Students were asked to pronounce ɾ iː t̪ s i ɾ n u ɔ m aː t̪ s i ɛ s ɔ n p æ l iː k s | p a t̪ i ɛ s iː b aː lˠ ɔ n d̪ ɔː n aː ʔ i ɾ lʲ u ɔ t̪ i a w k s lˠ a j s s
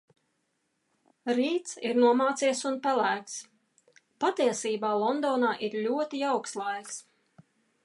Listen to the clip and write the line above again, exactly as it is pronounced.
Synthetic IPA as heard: ɾ iː t̪ s i ɾ n u ɔ m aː t̪ s i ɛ s u n p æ l æː k s | p a t̪ i ɛ s iː b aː lˠ ɔ n d̪ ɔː n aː ʔ i ɾ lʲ u ɔ t̪ i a w k s lˠ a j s s